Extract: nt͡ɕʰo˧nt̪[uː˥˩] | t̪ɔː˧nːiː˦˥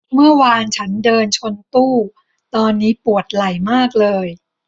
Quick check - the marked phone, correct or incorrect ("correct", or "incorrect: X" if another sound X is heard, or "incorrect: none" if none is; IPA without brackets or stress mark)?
correct